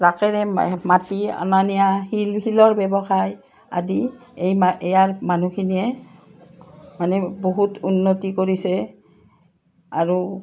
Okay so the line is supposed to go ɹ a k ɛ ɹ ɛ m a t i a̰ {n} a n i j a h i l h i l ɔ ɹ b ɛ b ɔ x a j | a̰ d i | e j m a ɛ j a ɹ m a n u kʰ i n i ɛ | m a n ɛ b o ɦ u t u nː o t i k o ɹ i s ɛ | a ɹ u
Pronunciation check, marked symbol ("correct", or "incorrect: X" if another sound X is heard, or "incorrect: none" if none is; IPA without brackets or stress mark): correct